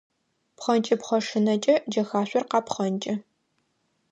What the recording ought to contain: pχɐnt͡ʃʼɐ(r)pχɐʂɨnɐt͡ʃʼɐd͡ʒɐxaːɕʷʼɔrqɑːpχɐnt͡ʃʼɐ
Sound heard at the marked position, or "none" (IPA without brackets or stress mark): none